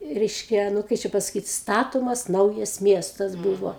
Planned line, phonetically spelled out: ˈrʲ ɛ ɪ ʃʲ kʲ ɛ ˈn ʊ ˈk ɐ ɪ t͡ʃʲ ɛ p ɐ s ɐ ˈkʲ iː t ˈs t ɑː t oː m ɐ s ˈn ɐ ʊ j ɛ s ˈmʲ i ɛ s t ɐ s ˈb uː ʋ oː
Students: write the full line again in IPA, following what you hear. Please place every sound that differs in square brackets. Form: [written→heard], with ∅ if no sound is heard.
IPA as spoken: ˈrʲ ɛ ɪ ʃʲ kʲ ɛ ˈn ʊ ˈk ɐ ɪ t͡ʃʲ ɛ p ɐ s ɐ ˈkʲ iː t ˈs t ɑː t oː m ɐ s ˈn ɐ ʊ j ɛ s ˈmʲ i ɛ s t ɐ s ˈb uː ʋ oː